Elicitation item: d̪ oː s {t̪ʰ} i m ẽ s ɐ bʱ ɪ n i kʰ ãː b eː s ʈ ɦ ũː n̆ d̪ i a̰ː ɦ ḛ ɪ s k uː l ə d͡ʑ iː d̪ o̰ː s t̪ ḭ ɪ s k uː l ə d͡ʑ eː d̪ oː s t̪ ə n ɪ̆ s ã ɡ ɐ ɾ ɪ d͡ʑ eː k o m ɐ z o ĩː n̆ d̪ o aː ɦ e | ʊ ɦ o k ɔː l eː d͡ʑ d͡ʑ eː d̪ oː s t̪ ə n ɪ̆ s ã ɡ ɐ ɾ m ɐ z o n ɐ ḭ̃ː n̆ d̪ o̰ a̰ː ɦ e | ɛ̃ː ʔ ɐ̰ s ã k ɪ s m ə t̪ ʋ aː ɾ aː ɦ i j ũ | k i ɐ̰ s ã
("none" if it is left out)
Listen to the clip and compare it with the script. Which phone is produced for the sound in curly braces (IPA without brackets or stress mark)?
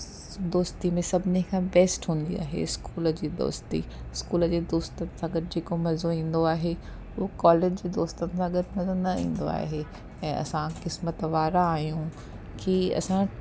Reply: t̪